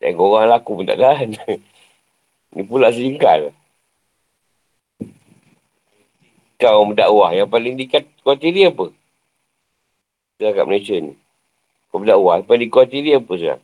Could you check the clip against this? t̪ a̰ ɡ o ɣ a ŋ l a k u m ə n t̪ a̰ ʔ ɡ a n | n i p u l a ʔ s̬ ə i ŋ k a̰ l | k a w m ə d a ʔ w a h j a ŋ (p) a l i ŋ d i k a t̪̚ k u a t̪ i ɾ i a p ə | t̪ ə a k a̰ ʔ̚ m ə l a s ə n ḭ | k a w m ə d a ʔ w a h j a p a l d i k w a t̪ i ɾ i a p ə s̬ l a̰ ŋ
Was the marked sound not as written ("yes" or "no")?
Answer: no